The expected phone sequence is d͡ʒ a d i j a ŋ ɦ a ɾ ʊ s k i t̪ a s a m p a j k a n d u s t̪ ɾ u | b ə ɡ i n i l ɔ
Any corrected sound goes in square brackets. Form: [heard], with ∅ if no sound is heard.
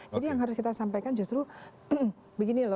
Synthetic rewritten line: d͡ʒ a d i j a ŋ ɦ a ɾ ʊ s k i t̪ a s a m p a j k a n [d͡ʒ] u s t̪ ɾ u | b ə ɡ i n i l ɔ